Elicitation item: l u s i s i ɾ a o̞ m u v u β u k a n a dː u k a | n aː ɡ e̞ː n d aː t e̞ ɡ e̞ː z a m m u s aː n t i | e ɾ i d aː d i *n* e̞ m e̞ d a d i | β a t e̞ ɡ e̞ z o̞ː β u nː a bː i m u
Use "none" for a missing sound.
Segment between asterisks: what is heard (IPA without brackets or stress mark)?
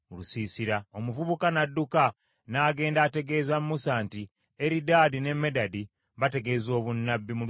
n